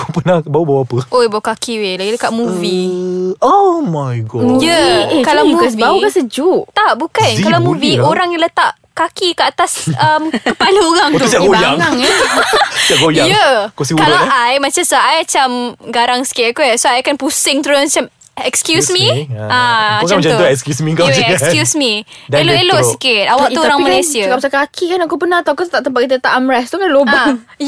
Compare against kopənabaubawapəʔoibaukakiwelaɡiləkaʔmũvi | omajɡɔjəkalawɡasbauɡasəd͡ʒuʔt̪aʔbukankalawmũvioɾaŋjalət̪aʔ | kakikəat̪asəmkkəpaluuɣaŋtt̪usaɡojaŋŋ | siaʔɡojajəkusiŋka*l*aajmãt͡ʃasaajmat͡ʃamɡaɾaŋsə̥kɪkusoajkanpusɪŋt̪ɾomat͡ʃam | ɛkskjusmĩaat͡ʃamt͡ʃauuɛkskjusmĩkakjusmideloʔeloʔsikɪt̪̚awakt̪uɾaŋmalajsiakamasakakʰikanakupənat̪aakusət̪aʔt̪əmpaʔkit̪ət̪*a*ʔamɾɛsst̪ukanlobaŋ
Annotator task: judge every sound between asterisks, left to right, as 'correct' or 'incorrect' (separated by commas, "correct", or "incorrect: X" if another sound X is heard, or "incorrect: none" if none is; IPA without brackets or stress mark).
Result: correct, correct